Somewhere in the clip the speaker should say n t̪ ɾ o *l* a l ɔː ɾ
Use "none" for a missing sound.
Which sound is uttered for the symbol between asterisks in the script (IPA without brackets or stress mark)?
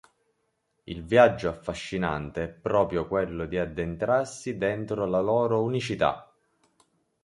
l